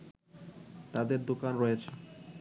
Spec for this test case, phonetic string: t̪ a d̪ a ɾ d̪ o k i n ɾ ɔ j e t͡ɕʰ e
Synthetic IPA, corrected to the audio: t̪ a d̪ e ɾ d̪ o k a n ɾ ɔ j e t͡ɕʰ e